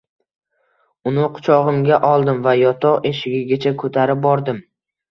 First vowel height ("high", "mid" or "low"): high